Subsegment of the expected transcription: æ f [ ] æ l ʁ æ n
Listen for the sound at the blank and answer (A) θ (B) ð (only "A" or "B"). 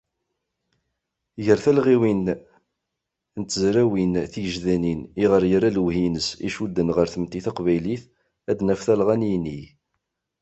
A